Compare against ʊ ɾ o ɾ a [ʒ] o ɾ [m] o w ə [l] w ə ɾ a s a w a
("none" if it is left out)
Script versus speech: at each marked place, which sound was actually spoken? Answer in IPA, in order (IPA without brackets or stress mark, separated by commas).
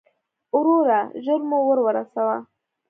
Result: ʒ, m, ɾ